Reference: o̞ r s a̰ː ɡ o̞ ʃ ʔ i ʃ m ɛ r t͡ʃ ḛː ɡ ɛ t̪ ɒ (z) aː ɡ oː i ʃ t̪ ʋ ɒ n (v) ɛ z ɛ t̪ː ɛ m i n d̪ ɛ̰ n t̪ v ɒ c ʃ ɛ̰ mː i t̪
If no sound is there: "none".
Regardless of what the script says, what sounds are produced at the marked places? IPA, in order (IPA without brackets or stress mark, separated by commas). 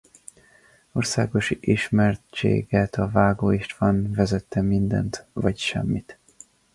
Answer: v, v